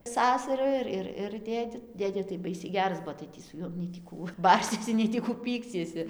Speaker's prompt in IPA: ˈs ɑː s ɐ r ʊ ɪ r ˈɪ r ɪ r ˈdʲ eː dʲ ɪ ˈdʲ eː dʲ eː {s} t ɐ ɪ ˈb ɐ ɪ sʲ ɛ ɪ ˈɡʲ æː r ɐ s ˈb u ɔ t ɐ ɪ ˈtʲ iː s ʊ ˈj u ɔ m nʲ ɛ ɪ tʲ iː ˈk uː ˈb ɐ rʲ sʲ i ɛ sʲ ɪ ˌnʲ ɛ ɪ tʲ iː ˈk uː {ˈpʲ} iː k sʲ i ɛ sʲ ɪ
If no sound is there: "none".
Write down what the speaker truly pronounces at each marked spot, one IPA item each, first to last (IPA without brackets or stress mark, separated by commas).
none, pʲ